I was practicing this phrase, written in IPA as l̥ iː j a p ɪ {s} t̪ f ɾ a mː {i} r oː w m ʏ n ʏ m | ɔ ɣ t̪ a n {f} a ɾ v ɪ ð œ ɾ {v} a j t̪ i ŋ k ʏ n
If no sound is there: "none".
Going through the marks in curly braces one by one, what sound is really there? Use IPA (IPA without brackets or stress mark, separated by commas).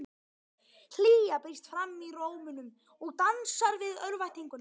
s, i, s, v